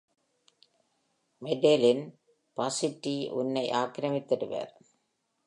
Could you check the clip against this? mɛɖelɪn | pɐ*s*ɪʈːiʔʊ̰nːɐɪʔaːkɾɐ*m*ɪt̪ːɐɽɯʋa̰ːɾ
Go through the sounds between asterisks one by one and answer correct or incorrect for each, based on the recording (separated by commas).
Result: correct, correct